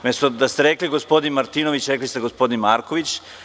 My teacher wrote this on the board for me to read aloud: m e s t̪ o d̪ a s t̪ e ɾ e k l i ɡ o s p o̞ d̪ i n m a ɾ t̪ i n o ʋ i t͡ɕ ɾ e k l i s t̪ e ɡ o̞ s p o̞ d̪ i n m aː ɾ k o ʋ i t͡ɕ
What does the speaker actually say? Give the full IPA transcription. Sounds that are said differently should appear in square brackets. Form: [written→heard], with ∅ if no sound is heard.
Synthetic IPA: m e s t̪ o d̪ a s t̪ e ɾ e k l i ɡ o s p o̞ d̪ i n m a ɾ t̪ i n o ʋ i t͡ɕ ɾ e k l i s t̪ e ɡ o̞ s p o̞ d̪ i n m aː ɾ k o ʋ i t͡ɕ